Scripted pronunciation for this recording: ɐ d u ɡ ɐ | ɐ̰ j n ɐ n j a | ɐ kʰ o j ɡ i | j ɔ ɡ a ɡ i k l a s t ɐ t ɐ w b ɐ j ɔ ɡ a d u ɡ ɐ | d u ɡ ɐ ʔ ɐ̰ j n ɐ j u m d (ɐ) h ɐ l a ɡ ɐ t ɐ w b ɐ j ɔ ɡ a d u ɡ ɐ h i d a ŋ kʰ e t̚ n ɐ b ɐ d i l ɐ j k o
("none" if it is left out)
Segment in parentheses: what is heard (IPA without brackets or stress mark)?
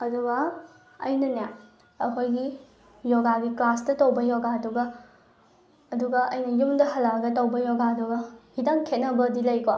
ɐ